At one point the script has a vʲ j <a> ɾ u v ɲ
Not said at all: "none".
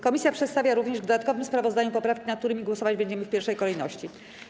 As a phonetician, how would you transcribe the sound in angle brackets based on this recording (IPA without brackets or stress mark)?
a